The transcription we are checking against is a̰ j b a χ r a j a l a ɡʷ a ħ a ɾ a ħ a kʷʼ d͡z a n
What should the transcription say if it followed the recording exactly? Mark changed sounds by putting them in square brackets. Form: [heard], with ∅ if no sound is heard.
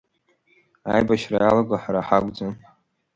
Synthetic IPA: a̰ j b a [ʃ] r a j a l a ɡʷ a ħ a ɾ a ħ a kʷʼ d͡z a n